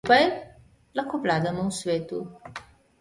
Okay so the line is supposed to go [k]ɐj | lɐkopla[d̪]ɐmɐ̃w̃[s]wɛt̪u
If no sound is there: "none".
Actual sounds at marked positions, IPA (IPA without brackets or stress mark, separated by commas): p, d̪, s